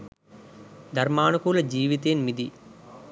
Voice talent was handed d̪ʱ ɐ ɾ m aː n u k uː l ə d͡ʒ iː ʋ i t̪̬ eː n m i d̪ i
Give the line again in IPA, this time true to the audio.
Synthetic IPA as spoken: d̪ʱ ɐ ɾ m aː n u k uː l ɐ d͡ʒ iː ʋ i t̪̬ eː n m i d̪ i